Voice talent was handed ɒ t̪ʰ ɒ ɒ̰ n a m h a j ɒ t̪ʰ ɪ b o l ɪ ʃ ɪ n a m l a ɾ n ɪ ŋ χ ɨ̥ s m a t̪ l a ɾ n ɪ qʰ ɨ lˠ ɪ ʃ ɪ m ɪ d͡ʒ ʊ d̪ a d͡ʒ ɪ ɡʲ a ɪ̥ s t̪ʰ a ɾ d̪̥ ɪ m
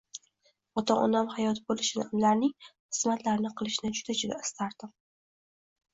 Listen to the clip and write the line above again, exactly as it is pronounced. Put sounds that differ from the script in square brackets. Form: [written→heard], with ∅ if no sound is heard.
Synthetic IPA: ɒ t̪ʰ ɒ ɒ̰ n a m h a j ɒ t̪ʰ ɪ b o l ɪ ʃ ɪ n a m l a ɾ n ɪ ŋ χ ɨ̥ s m a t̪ l a ɾ n ɪ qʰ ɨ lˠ ɪ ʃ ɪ [m→n] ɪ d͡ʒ ʊ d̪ a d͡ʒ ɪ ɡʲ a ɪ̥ s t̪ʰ a ɾ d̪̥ ɪ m